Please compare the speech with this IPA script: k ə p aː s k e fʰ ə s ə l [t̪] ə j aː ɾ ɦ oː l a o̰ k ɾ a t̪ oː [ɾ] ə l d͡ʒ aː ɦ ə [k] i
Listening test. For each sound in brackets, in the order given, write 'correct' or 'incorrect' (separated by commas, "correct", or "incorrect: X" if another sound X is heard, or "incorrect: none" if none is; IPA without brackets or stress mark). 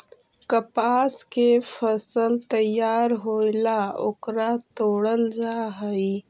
correct, incorrect: ɽ, incorrect: none